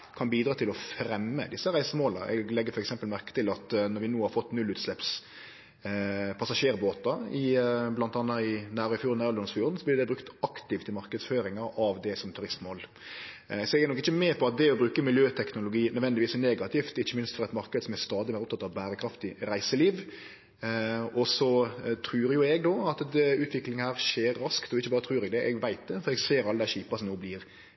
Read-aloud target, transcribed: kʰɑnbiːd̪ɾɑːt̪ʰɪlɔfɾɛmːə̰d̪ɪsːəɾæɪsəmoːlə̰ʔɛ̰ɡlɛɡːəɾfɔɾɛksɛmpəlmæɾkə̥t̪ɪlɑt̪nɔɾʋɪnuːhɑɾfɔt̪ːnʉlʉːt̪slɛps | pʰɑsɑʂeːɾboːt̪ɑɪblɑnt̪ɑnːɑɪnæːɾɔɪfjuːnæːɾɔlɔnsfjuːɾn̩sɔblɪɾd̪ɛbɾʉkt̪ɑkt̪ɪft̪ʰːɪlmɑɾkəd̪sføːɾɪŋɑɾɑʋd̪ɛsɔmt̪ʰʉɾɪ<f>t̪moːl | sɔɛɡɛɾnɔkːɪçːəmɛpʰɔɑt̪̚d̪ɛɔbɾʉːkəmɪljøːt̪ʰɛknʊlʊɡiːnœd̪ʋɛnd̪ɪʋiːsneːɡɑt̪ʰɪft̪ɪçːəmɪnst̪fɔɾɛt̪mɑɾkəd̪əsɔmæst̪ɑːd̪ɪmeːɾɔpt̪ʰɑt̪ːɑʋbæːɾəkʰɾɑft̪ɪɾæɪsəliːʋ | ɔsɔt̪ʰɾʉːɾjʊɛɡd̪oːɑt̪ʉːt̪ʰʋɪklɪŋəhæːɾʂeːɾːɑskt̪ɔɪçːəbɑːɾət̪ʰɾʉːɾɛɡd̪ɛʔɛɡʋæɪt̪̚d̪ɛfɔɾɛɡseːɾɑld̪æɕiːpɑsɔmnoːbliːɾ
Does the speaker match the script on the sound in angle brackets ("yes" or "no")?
no